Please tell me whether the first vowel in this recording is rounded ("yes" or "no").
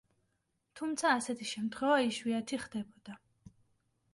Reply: yes